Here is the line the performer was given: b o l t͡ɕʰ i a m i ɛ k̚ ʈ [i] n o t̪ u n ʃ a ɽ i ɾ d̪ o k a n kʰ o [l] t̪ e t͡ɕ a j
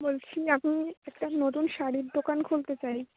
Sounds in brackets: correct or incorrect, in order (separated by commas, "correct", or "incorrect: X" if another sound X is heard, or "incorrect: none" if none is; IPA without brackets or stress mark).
incorrect: a, correct